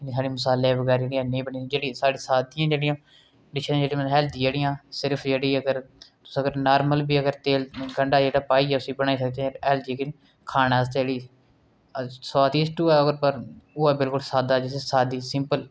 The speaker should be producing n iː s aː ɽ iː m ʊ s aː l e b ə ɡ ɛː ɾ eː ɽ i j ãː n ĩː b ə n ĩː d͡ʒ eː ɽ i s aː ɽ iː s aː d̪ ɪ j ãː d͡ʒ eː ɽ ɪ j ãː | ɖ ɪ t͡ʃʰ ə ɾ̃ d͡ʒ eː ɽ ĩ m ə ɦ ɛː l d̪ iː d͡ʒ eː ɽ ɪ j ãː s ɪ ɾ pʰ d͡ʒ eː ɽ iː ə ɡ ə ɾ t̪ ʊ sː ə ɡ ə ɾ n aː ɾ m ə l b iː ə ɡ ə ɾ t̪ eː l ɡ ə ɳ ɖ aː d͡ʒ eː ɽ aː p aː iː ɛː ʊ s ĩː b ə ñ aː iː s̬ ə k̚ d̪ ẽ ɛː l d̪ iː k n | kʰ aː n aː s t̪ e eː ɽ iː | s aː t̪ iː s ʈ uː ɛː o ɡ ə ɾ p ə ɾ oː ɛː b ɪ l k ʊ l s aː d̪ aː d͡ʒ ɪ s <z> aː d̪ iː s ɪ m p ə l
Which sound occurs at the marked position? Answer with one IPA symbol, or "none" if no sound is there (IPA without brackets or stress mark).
s